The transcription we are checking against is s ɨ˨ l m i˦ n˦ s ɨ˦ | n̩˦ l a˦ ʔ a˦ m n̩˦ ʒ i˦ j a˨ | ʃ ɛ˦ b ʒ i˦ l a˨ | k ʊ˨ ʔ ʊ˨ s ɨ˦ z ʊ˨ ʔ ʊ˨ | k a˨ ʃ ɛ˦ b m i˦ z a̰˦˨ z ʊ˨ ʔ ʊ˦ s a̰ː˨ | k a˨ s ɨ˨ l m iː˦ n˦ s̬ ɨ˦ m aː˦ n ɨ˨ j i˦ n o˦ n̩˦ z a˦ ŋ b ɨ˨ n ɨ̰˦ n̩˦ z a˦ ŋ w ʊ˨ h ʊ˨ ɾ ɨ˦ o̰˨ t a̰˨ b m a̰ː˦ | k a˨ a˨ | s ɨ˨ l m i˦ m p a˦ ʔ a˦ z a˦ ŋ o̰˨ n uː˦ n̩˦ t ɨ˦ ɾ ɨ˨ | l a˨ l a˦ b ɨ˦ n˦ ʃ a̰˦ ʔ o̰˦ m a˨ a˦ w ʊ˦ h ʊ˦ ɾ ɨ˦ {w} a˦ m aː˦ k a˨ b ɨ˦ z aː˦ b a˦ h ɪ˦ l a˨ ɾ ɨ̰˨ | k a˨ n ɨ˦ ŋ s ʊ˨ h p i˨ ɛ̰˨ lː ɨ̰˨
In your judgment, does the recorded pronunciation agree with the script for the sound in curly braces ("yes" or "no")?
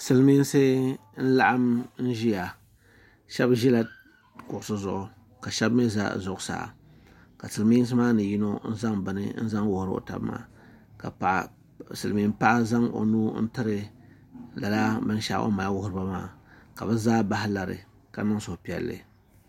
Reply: no